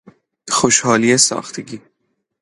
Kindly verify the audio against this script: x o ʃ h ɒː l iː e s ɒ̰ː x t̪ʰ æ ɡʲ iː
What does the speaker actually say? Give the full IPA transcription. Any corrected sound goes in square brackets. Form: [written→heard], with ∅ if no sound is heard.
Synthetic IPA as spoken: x o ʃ h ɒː l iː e s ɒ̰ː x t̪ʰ [æ→e] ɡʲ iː

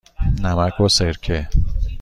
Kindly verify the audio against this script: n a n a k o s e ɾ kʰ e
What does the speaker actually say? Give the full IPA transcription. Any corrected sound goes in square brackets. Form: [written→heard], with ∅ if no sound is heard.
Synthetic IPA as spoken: n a [n→m] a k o s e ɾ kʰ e

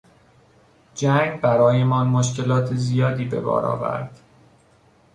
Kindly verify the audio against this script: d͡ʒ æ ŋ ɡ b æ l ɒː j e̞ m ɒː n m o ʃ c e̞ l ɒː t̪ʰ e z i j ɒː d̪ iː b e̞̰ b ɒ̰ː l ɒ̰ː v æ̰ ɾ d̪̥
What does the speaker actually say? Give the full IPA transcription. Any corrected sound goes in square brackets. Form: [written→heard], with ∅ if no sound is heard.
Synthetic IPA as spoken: d͡ʒ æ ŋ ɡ b æ [l→ɾ] ɒː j e̞ m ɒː n m o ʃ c e̞ l ɒː t̪ʰ e z i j ɒː d̪ iː b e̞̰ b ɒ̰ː [l→ɾ] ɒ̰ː v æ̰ ɾ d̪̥

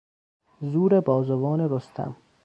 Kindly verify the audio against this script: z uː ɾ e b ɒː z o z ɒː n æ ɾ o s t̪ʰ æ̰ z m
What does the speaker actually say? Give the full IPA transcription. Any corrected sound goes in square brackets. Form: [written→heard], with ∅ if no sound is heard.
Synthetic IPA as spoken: z uː ɾ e b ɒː z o [z→v] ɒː n [æ→e] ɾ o s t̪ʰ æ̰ [z→∅] m

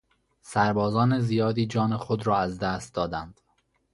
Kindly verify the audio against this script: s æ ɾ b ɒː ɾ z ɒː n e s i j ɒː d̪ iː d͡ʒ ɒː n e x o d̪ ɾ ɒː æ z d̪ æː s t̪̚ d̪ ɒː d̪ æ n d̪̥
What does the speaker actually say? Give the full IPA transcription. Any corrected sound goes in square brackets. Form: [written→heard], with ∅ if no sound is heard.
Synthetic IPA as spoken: s æ ɾ b ɒː [ɾ→∅] z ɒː n e [s→z] i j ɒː d̪ iː d͡ʒ ɒː n e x o d̪ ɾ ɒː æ z d̪ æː s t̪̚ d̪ ɒː d̪ æ n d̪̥

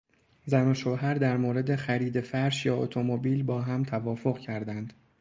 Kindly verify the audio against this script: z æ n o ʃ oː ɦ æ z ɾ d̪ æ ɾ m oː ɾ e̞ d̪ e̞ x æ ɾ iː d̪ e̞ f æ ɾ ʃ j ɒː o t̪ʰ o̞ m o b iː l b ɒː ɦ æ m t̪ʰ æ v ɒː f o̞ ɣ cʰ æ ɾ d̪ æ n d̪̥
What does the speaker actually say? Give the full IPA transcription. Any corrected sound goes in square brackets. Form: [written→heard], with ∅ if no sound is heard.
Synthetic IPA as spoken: z æ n o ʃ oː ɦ æ [z→∅] ɾ d̪ æ ɾ m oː ɾ e̞ d̪ e̞ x æ ɾ iː d̪ e̞ f æ ɾ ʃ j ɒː o t̪ʰ o̞ m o b iː l b ɒː ɦ æ m t̪ʰ æ v ɒː f o̞ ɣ cʰ æ ɾ d̪ æ n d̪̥

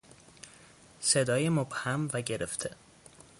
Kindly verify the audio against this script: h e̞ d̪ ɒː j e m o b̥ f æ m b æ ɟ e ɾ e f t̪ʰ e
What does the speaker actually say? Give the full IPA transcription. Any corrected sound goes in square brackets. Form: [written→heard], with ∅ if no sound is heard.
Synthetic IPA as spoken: [h→s] e̞ d̪ ɒː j e m o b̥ [f→h] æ m [b→v] æ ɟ e ɾ e f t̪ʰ e

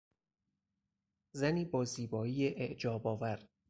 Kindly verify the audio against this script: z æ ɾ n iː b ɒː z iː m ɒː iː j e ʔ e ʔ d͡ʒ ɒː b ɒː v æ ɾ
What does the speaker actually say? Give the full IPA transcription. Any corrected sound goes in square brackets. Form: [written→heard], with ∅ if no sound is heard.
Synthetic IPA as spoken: z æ [ɾ→∅] n iː b ɒː z iː [m→b] ɒː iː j e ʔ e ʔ d͡ʒ ɒː b ɒː v æ ɾ

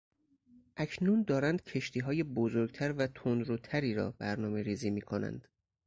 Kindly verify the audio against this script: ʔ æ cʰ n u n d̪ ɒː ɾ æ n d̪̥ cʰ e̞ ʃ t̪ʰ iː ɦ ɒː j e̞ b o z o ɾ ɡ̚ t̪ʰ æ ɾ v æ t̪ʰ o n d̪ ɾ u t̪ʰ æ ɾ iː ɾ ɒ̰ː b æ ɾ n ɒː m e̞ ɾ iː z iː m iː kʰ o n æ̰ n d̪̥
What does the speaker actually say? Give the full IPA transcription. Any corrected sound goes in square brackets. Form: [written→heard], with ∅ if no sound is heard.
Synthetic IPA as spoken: ʔ æ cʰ n u n d̪ ɒː ɾ æ n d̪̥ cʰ e̞ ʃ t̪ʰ iː ɦ ɒː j e̞ b o z o ɾ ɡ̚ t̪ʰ æ ɾ v æ t̪ʰ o n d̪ ɾ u t̪ʰ æ ɾ iː ɾ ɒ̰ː b æ ɾ n ɒː m e̞ ɾ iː z iː m iː kʰ o n æ̰ n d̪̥

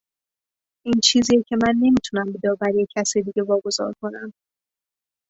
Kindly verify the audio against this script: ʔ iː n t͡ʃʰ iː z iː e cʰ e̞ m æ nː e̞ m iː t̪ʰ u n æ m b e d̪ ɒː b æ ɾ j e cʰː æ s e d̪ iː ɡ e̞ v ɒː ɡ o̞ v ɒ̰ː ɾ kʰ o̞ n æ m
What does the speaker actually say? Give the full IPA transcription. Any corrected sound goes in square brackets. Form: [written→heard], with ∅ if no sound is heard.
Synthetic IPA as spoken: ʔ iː n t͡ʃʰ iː z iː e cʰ e̞ m æ nː e̞ m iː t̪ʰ u n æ m b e d̪ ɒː b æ ɾ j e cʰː æ s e d̪ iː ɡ e̞ v ɒː ɡ o̞ [v→z] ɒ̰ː ɾ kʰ o̞ n æ m

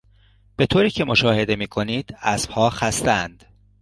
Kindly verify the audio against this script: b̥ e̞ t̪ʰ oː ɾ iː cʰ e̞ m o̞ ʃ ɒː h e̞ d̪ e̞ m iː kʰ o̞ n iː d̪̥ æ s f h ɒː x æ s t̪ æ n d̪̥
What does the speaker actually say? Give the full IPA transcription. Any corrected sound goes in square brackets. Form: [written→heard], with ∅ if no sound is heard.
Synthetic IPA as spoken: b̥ e̞ t̪ʰ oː ɾ iː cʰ e̞ m o̞ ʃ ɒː h e̞ d̪ e̞ m iː kʰ o̞ n iː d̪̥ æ s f h ɒː x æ s t̪ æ n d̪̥

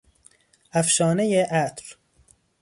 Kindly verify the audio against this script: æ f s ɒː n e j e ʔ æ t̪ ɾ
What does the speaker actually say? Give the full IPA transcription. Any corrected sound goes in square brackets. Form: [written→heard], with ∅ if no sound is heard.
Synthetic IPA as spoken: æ f [s→ʃ] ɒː n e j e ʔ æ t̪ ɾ

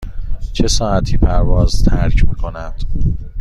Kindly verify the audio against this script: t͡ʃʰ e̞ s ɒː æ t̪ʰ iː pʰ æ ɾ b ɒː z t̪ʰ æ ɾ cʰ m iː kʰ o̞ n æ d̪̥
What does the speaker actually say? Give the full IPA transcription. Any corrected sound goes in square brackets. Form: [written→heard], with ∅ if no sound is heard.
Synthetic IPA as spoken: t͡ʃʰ e̞ s ɒː æ t̪ʰ iː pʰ æ ɾ [b→v] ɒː z t̪ʰ æ ɾ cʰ m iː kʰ o̞ n æ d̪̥

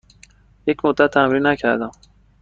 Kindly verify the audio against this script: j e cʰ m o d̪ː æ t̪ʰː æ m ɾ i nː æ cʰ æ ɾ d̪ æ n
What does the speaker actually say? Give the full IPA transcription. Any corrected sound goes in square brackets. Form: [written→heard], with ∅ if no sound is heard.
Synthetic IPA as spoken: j e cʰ m o d̪ː æ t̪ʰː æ m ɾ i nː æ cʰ æ ɾ d̪ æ [n→m]

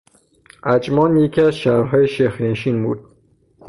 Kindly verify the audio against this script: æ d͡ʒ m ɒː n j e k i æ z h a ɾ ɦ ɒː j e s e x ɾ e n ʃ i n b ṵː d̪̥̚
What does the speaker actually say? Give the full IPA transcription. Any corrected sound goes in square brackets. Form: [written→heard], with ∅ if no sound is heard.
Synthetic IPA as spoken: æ d͡ʒ m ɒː n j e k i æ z [h→ʃ] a ɾ ɦ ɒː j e [s→ʃ] e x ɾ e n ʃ i n b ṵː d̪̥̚

